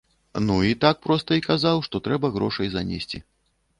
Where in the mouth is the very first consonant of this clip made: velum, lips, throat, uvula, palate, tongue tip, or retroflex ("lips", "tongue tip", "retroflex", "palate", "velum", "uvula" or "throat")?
tongue tip